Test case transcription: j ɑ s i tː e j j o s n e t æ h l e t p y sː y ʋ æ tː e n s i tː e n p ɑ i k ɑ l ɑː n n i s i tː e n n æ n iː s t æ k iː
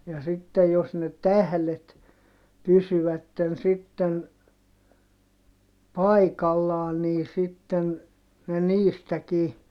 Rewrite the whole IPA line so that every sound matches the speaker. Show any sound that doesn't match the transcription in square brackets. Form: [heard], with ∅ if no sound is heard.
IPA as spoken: j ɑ s i tː e j j o s n e t æ h l e t p y [s] y ʋ æ tː e n s i tː e n p ɑ i k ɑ [lː] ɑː n n [iː] s i tː e n n [e] n iː s t æ k iː